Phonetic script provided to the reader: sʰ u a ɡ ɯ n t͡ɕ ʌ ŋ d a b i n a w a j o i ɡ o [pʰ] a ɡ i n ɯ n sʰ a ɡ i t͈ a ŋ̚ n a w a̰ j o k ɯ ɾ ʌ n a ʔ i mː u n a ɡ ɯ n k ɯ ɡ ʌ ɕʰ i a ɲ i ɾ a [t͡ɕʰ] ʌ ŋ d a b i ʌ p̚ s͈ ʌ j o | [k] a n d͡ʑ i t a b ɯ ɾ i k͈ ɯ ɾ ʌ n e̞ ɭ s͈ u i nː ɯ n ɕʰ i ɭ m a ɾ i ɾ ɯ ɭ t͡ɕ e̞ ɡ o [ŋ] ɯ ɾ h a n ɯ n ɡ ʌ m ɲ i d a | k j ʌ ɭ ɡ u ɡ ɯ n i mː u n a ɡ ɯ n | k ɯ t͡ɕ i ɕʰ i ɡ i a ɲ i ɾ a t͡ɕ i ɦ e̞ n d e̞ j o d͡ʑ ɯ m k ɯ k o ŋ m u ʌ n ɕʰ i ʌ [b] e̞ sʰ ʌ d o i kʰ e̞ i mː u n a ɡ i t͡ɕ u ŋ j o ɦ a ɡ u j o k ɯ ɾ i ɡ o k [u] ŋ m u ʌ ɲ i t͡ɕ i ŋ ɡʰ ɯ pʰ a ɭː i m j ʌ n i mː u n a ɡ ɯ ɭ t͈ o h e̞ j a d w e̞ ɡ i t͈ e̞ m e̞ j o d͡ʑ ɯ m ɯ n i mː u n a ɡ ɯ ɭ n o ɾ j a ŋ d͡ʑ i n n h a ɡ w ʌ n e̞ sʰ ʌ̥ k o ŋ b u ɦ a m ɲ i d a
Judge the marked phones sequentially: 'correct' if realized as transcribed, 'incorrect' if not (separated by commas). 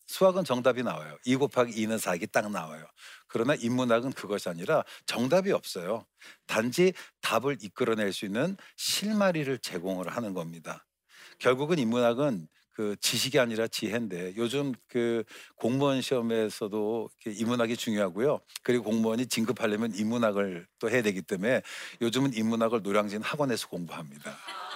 correct, incorrect, incorrect, correct, incorrect, incorrect